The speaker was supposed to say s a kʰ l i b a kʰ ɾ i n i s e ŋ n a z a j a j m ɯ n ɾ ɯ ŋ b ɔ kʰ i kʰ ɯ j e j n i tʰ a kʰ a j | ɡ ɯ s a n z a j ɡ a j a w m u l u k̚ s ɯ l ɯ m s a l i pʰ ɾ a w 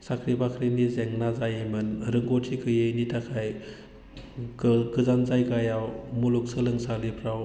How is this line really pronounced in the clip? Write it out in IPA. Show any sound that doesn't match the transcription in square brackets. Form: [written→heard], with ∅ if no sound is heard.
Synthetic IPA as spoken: s a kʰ [l→ɾ] i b a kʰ ɾ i n i [s→z] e ŋ n a z a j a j m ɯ n ɾ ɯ ŋ [b→ɡ] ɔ [kʰ→tʰ] i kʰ ɯ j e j n i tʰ a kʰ a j | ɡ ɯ [s→z] a n z a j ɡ a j a w m u l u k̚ s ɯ l ɯ [m→ŋ] s a l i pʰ ɾ a w